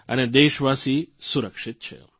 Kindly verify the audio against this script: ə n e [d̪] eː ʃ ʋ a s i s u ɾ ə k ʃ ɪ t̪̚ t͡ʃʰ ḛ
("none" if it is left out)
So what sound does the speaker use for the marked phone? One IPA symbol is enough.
d̪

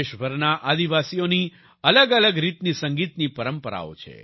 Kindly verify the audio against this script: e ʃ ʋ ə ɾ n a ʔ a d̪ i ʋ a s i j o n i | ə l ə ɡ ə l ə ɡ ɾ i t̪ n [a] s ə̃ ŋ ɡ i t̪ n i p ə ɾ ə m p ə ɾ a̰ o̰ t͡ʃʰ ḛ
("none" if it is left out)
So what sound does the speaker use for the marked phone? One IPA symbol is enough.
i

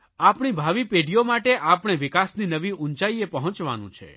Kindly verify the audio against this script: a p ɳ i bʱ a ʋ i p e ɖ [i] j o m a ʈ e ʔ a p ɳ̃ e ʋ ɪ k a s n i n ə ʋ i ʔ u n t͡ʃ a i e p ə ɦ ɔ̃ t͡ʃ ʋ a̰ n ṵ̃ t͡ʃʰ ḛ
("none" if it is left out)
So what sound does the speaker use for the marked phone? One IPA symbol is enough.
i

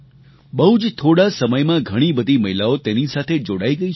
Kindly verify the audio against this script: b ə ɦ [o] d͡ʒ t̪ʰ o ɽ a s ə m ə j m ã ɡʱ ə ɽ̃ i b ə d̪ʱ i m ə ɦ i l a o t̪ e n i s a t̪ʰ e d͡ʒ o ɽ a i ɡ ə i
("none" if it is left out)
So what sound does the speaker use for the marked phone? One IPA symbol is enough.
u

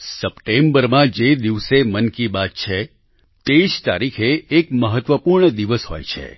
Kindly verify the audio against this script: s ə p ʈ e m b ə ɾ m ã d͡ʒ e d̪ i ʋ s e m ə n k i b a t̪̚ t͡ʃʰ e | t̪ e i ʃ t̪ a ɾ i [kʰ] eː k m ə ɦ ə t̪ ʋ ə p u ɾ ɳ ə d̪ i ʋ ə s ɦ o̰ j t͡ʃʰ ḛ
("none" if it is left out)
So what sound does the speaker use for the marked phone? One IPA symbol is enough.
kʰ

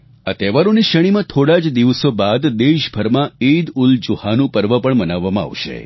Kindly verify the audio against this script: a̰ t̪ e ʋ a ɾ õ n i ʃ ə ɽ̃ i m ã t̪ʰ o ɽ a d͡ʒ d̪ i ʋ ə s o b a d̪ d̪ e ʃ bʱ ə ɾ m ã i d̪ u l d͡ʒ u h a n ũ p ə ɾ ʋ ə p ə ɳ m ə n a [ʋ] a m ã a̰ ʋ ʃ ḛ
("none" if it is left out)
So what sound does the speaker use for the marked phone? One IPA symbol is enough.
ʋː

